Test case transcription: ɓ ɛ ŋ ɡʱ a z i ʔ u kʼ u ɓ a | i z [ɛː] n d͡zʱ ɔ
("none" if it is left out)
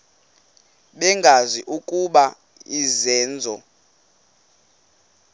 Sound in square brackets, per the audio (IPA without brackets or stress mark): ɛː